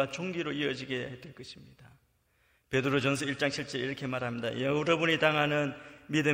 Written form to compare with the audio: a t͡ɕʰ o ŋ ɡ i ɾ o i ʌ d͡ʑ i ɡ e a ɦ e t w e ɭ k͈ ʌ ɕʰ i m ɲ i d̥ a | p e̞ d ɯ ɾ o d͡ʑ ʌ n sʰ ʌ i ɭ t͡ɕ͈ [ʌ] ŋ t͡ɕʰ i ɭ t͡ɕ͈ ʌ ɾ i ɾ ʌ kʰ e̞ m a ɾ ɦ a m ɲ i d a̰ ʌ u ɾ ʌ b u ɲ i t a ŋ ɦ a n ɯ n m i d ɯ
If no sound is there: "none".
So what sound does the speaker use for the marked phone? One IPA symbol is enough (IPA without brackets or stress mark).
a